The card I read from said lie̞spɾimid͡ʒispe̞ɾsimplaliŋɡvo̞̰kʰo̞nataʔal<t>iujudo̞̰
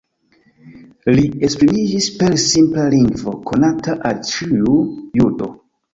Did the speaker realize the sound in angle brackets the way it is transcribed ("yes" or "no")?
no